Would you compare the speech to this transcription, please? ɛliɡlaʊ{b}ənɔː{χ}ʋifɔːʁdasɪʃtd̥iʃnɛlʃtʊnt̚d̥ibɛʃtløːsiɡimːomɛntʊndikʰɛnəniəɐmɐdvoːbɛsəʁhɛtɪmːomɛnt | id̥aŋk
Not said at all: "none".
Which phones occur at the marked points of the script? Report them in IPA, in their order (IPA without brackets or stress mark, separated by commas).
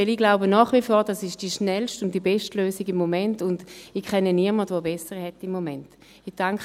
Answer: b, χ